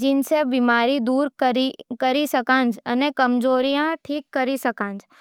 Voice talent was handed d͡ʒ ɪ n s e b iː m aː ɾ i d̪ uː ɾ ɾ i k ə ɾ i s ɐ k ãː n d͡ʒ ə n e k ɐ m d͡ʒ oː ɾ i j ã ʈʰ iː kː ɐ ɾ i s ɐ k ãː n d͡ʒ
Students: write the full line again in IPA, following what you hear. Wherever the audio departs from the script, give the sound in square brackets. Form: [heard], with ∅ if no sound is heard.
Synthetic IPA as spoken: d͡ʒ ɪ n s e b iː m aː ɾ i d̪ uː ɾ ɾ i k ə ɾ i s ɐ k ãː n d͡ʒ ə n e k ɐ m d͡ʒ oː ɾ i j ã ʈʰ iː kː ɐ ɾ i s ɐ k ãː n d͡ʒ